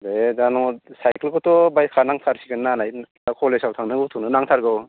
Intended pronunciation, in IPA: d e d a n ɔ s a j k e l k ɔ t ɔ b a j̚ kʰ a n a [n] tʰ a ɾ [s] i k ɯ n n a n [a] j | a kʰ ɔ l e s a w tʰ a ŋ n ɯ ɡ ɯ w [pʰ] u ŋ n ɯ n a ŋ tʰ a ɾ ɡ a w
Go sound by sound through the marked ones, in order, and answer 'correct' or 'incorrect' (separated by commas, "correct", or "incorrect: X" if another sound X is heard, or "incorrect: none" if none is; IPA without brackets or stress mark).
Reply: incorrect: ŋ, correct, correct, incorrect: tʰ